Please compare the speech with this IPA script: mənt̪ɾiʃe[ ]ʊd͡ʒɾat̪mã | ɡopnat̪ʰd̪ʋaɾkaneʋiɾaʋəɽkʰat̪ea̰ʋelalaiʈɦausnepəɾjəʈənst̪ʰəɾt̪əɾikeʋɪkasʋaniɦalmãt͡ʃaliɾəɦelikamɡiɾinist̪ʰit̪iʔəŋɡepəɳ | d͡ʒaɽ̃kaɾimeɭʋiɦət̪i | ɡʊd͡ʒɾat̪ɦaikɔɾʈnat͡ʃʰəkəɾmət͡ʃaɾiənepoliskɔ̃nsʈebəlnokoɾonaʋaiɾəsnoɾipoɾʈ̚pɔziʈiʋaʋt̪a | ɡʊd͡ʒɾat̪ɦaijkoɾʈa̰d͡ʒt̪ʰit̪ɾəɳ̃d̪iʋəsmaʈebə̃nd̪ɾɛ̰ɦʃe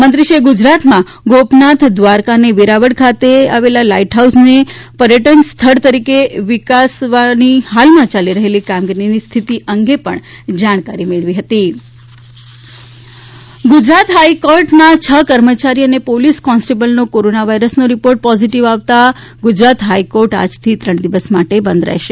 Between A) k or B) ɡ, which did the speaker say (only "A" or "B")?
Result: B